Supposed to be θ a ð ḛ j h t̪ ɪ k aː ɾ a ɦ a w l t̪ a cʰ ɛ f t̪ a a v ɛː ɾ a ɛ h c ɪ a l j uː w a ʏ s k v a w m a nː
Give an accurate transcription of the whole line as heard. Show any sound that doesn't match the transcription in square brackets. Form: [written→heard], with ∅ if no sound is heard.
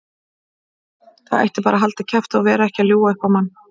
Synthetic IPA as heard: θ a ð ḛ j h t̪ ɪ [k→p] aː ɾ a ɦ a [w→∅] l t̪ a cʰ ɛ f t̪ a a v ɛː ɾ a ɛ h c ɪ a l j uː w a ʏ [s→h] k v a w m a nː